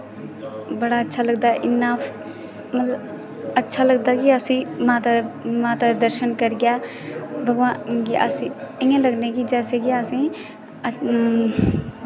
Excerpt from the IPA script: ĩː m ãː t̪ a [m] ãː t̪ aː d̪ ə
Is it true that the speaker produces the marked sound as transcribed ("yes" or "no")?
yes